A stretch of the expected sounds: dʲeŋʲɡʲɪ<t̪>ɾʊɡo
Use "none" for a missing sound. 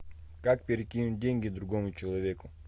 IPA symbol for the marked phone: d̪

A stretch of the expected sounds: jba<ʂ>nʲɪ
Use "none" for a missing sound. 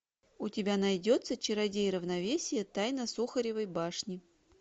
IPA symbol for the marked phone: ʂ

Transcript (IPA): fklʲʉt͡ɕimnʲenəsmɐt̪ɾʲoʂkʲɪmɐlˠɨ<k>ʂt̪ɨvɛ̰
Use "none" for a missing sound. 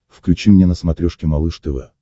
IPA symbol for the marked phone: none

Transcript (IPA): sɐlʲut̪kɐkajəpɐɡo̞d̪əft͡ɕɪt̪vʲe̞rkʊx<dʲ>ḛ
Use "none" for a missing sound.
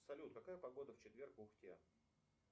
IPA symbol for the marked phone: tʲ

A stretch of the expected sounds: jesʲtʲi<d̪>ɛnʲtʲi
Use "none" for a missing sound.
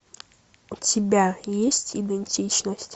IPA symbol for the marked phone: d̪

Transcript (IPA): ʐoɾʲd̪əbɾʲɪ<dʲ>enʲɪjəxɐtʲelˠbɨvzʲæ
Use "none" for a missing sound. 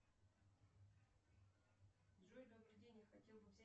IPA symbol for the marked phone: dʲ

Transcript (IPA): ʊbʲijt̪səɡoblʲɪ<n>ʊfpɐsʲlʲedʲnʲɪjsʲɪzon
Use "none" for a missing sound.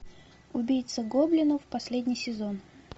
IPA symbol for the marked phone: n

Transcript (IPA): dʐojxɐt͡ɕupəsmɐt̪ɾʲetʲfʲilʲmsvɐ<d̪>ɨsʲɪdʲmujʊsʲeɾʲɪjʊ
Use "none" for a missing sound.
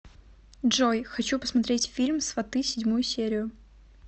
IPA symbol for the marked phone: t̪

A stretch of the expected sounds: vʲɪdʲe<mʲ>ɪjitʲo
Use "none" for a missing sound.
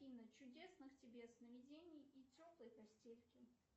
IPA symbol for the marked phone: nʲ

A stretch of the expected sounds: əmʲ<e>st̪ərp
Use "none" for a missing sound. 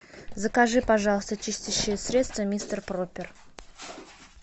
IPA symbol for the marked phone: i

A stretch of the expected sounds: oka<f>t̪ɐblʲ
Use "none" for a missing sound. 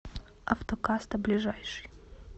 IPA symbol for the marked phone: s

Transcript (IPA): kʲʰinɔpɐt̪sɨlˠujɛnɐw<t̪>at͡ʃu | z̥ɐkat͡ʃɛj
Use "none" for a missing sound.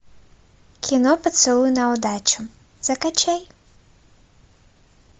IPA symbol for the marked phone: d̪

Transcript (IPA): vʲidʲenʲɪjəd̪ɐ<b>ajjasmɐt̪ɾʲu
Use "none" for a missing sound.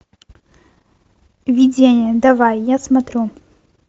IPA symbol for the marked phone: v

